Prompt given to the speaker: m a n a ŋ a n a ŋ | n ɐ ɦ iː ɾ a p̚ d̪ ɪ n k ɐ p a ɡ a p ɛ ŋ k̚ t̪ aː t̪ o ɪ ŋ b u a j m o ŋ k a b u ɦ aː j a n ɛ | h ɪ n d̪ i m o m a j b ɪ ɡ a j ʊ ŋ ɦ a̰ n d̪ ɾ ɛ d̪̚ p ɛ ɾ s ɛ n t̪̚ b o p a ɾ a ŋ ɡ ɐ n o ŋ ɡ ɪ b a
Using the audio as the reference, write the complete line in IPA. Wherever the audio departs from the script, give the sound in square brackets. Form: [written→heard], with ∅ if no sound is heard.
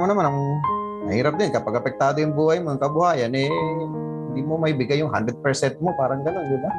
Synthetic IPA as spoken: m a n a [ŋ→m] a n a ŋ | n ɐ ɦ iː ɾ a p̚ d̪ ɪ n k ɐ p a ɡ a p ɛ [ŋ→∅] k̚ t̪ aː [t̪→d̪] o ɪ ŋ b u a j m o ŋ k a b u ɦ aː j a n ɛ | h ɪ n d̪ i m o m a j b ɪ ɡ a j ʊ ŋ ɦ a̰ n d̪ ɾ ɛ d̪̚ p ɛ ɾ s ɛ n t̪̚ [b→m] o p a ɾ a ŋ ɡ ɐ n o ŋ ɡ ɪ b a